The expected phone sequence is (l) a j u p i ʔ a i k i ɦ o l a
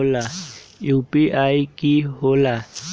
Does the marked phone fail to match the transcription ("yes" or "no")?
no